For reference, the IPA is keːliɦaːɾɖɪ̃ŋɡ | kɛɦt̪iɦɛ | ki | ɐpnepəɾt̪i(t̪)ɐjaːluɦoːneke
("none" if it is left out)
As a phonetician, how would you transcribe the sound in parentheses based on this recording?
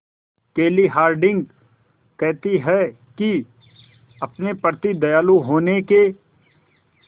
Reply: d̪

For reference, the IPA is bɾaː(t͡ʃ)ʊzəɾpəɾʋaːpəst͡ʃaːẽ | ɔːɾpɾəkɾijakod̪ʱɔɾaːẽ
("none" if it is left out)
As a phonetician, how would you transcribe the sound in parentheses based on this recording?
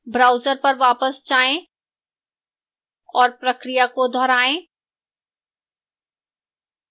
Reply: none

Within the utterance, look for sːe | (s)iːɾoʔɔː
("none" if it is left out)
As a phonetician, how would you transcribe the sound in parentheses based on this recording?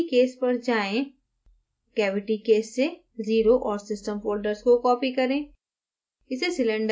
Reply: z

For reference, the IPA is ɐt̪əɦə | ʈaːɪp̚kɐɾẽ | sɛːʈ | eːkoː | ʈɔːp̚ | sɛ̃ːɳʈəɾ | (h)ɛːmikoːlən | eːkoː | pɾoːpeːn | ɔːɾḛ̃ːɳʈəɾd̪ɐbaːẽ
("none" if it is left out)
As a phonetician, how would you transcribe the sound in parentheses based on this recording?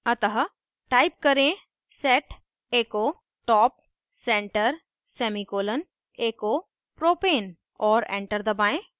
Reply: s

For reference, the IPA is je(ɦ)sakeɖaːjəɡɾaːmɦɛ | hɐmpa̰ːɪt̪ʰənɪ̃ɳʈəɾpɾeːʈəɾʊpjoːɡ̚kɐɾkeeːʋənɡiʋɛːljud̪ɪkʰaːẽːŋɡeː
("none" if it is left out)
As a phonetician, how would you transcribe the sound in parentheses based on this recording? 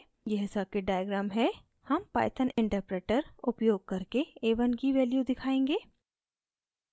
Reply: ɦ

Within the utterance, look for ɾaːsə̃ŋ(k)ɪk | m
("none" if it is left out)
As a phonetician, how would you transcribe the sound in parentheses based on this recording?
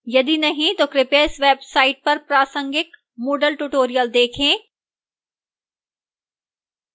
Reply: ɡ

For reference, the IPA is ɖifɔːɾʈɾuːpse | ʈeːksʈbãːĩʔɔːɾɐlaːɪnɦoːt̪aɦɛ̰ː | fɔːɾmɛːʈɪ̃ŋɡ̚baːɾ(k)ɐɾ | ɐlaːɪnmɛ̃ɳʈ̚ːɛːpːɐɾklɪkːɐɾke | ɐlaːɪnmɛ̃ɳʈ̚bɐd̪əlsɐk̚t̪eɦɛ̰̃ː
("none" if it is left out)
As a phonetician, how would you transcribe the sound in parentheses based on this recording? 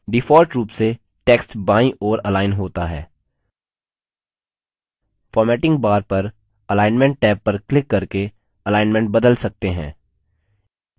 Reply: p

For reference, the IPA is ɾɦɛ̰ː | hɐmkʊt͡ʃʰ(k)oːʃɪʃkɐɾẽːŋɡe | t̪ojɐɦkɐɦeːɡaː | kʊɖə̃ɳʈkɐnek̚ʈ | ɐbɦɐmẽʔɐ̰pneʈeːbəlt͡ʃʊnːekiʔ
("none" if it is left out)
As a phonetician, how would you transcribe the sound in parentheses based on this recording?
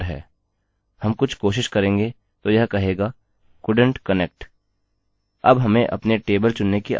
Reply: k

